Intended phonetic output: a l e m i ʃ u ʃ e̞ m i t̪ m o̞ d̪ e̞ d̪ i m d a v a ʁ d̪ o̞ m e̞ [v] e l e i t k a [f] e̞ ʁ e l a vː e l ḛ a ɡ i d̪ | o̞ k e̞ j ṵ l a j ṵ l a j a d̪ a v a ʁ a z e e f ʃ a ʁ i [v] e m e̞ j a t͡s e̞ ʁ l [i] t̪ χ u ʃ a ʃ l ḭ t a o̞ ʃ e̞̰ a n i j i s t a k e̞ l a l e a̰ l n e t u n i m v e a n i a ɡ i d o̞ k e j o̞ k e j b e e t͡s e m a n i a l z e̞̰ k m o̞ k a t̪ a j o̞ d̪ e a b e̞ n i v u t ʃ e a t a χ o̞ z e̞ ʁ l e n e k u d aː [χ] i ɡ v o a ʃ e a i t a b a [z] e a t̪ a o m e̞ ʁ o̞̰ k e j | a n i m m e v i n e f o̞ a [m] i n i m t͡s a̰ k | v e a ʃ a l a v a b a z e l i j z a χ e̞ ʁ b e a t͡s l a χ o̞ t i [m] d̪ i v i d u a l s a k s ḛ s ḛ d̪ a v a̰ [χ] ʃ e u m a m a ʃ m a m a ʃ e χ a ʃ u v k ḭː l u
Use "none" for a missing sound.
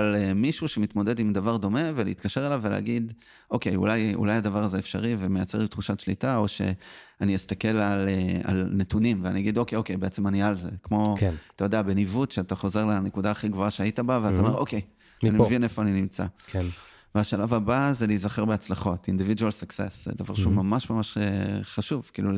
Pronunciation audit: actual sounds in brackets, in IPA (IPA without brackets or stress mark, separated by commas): v, ʃ, v, i, χ, v, n, n, ʁ